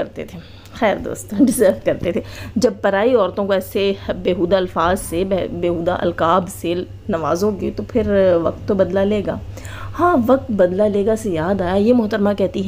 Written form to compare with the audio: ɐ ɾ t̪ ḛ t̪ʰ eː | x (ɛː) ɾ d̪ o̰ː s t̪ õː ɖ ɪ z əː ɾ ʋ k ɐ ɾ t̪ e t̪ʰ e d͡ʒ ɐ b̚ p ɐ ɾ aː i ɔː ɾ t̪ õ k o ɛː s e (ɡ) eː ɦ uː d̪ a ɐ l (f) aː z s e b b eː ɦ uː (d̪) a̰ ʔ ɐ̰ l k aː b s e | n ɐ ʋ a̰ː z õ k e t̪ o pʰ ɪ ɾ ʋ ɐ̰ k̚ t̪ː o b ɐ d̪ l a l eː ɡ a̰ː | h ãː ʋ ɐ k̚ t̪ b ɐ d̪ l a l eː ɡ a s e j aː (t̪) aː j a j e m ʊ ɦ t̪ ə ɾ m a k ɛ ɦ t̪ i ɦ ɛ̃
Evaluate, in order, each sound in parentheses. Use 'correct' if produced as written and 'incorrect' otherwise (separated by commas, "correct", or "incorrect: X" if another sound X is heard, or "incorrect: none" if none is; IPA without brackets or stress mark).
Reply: correct, incorrect: b, correct, correct, incorrect: d̪